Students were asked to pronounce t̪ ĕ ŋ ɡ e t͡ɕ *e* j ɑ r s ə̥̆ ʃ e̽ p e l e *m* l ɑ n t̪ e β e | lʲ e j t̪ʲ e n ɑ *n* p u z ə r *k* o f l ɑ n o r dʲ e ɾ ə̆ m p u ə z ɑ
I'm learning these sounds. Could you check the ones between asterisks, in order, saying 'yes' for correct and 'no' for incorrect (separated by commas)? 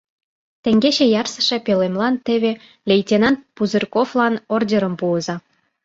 yes, yes, yes, yes